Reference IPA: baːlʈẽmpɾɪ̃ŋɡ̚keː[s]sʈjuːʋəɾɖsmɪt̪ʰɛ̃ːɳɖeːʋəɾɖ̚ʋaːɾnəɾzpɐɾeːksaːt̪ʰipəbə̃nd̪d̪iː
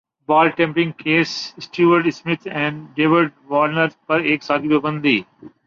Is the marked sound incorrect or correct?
correct